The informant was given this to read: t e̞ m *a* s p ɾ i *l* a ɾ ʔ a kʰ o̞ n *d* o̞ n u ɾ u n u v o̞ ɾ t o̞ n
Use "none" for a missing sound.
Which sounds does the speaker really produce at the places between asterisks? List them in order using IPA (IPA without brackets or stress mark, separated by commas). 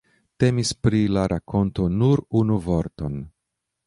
i, l, t